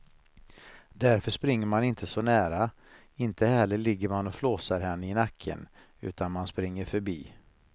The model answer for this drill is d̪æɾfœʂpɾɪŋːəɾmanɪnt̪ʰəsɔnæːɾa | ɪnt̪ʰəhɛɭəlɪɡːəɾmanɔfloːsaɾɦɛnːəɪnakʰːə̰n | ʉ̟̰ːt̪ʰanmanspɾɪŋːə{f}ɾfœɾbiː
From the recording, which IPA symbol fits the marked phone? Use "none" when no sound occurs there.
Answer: none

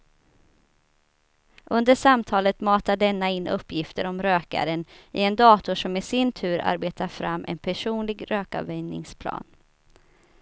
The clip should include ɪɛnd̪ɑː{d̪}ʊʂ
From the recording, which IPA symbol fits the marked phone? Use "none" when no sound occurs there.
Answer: t̪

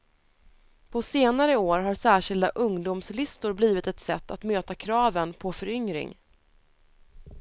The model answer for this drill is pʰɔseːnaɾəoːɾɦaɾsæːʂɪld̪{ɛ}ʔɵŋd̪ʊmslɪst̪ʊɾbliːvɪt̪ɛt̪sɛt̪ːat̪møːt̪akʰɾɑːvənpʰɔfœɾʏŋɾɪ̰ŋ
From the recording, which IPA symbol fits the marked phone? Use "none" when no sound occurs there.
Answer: a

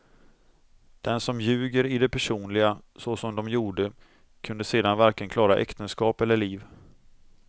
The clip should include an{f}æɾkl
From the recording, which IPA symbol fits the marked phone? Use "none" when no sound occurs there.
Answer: v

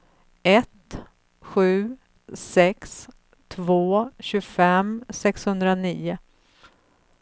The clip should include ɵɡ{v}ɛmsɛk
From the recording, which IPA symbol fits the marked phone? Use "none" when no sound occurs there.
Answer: f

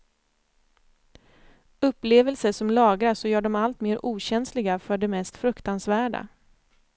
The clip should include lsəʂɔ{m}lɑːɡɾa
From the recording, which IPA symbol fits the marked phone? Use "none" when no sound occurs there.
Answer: m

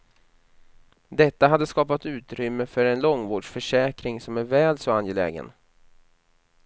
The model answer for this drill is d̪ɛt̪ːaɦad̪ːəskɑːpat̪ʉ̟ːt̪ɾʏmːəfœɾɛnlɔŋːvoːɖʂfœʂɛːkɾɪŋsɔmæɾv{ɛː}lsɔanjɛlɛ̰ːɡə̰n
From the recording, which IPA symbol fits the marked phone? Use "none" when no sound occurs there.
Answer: ɛː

